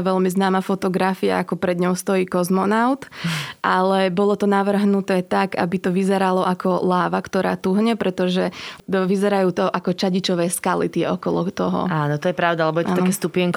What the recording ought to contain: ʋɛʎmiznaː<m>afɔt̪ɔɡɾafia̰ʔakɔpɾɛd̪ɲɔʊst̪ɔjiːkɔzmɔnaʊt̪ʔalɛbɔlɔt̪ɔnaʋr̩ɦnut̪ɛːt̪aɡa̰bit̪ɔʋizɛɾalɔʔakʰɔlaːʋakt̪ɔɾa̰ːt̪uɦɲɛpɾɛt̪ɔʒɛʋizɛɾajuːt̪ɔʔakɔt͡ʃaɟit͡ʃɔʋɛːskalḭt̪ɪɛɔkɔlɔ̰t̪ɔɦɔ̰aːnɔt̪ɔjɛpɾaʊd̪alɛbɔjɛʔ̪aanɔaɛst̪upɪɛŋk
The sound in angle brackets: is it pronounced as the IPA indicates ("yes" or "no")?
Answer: yes